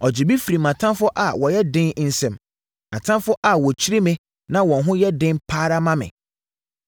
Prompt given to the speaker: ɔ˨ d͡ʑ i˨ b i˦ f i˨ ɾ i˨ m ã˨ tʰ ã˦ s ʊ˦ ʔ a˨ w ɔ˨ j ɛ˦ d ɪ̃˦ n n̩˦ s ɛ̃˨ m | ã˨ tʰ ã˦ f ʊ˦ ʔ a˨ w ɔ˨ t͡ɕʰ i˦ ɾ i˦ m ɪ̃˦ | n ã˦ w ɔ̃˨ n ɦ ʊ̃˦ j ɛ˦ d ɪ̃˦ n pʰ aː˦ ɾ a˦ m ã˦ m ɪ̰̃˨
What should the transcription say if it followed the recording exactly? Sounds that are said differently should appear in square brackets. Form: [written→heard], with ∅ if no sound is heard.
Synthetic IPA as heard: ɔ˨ d͡ʑ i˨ b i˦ f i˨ ɾ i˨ m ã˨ tʰ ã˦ [s→f] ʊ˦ ʔ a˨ w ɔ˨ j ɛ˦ d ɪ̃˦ n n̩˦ s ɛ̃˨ m | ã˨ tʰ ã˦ f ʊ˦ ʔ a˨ w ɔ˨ t͡ɕʰ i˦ ɾ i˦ m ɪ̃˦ | n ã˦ w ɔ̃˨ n ɦ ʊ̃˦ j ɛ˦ d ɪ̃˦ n pʰ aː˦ ɾ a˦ m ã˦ m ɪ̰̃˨